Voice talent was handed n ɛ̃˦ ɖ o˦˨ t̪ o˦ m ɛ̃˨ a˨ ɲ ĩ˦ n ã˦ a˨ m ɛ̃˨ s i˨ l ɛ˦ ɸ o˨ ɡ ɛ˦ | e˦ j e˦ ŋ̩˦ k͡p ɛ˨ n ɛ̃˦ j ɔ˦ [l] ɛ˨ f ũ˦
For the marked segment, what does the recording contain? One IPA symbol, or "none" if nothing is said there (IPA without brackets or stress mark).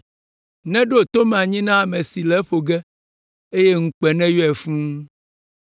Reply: none